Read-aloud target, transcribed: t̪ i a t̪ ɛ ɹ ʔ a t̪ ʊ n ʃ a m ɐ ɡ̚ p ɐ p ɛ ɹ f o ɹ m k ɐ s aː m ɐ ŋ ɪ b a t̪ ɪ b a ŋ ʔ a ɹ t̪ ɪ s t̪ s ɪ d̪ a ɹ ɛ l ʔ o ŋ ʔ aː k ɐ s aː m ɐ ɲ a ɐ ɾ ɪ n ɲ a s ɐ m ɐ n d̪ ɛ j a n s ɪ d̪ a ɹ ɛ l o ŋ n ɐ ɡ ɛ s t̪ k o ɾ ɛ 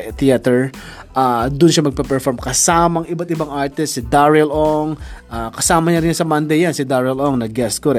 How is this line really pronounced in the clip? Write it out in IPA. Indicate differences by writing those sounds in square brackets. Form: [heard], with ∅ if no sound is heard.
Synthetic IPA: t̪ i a t̪ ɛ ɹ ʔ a [d̪] ʊ n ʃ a m ɐ ɡ̚ p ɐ p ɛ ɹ f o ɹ m k ɐ s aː m ɐ ŋ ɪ b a t̪ ɪ b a ŋ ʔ a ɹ t̪ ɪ s t̪ s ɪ d̪ a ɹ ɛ l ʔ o ŋ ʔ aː k ɐ s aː m ɐ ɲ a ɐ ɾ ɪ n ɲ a s ɐ m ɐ n d̪ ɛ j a n s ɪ d̪ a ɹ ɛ l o ŋ n ɐ ɡ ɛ s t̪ k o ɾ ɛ